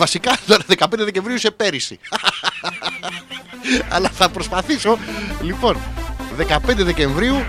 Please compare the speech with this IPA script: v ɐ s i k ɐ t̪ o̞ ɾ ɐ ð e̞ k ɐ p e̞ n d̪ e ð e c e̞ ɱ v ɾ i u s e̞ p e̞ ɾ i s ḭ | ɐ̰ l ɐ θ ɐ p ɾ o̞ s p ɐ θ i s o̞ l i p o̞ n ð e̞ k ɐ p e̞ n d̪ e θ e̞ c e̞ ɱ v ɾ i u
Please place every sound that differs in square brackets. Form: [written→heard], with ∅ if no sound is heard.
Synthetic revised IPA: v ɐ s i k ɐ t̪ o̞ ɾ ɐ ð e̞ k ɐ p e̞ n d̪ e ð e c e̞ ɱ v ɾ i u s e̞ p e̞ ɾ i s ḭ | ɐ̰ l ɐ θ ɐ p ɾ o̞ s p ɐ θ i s o̞ l i p o̞ n ð e̞ k ɐ p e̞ n d̪ e [θ→ð] e̞ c e̞ ɱ v ɾ i u